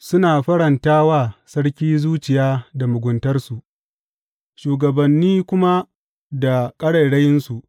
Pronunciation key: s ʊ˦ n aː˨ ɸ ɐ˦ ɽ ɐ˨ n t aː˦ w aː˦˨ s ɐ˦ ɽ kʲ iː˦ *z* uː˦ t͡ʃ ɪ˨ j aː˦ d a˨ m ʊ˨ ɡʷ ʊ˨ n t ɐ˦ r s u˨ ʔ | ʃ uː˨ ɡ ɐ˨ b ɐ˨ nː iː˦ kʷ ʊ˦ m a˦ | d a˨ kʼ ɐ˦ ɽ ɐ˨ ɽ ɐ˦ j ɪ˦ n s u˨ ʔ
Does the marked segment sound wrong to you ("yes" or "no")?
no